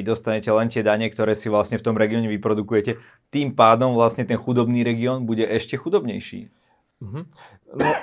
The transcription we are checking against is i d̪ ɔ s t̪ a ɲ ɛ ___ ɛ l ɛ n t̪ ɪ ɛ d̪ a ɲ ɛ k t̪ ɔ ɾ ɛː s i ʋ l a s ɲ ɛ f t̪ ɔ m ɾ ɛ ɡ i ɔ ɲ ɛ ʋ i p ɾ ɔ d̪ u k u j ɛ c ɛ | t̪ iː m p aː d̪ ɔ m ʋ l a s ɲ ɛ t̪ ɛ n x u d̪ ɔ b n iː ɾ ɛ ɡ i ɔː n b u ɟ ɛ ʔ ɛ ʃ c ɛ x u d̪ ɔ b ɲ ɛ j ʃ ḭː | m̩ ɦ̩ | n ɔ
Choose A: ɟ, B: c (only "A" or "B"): B